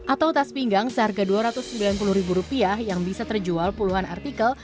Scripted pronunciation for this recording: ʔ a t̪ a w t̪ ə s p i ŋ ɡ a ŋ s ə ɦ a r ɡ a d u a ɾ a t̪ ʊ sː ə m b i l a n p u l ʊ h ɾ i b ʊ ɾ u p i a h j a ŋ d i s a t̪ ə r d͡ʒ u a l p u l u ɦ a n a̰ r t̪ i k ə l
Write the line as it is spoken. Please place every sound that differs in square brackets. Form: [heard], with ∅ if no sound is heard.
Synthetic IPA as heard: ʔ a t̪ a w t̪ [a] s p i ŋ ɡ a ŋ s ə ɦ a r ɡ a d u a ɾ a t̪ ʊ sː ə m b i l a n p u l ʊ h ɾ i b [u] ɾ u p i a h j a ŋ [b] i s a t̪ ə r d͡ʒ u a l p u l u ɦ a n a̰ r t̪ i k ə l